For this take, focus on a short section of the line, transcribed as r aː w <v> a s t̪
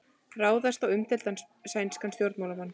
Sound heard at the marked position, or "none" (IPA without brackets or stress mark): ð